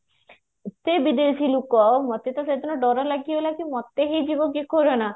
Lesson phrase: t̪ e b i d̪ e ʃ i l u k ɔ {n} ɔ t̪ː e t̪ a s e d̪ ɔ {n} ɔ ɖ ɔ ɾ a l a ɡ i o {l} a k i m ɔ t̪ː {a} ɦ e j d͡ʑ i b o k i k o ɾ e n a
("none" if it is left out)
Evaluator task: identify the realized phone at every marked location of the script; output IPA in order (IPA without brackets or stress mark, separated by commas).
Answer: m, n, l, e